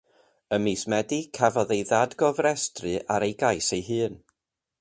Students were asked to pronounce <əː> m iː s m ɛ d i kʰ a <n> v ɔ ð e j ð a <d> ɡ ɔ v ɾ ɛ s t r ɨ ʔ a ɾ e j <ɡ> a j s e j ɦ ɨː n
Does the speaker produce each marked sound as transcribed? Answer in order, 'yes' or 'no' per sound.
no, no, yes, yes

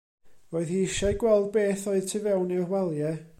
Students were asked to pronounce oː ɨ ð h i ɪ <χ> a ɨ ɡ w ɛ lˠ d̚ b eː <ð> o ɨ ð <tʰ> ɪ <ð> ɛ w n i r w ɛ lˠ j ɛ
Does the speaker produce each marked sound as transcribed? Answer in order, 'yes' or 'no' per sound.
no, no, yes, no

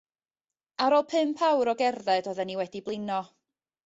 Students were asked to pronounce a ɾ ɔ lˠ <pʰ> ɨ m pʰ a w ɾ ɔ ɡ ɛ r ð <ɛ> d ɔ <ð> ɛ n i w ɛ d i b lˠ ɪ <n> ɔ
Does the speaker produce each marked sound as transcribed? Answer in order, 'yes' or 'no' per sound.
yes, yes, yes, yes

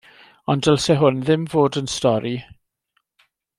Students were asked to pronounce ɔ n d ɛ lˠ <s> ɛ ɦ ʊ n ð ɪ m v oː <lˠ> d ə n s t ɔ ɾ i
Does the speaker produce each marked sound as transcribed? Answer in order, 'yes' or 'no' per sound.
yes, no

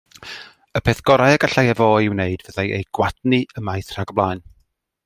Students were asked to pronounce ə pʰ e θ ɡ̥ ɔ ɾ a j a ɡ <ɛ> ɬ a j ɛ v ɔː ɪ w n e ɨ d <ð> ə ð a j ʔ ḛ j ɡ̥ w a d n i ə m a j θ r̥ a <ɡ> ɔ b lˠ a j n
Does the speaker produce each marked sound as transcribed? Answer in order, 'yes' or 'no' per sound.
no, no, yes

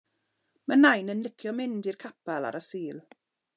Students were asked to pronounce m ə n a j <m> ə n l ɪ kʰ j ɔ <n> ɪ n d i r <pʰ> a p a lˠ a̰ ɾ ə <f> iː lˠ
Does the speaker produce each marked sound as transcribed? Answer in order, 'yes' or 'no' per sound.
no, no, no, no

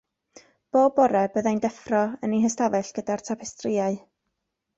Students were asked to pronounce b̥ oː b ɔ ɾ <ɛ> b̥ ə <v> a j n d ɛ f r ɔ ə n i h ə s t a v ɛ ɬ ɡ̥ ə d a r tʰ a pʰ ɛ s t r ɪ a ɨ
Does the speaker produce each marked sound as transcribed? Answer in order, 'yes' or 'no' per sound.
yes, no

